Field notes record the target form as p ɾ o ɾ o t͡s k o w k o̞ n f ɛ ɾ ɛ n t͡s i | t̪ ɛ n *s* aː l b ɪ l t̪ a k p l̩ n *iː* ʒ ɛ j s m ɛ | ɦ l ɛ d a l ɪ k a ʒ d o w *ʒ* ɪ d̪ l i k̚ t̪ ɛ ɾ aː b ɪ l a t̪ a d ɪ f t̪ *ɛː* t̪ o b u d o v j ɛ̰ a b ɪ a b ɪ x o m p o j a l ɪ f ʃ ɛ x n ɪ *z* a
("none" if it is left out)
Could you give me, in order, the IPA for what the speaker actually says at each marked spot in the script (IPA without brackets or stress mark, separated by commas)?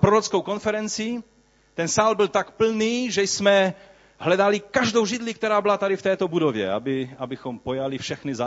s, iː, ʒ, ɛː, z